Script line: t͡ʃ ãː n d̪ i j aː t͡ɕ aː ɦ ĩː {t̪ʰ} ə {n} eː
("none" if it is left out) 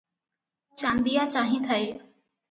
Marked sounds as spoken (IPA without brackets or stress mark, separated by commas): t̪ʰ, none